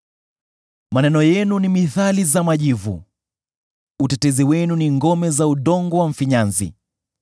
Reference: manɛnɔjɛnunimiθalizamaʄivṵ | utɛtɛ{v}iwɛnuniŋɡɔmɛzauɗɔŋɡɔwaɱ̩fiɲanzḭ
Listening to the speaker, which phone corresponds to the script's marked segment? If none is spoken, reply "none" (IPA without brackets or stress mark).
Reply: z